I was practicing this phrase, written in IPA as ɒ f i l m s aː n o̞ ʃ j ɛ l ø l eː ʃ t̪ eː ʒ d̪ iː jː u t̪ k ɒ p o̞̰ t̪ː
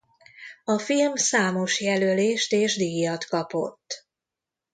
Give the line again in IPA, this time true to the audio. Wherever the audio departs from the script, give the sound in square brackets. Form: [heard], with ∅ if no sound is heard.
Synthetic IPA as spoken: ɒ f i l m s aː [m] o̞ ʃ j ɛ l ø l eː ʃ t̪ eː ʒ d̪ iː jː [ɒ] t̪ k ɒ p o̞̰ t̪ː